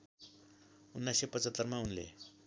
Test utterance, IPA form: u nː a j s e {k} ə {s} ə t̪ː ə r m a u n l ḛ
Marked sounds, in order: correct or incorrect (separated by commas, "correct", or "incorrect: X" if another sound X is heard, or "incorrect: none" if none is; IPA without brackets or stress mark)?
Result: incorrect: p, incorrect: t͡s